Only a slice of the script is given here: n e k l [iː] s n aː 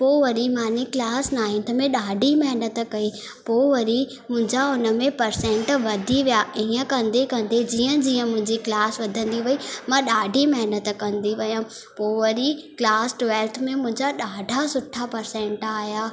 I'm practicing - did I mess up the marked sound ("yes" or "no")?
yes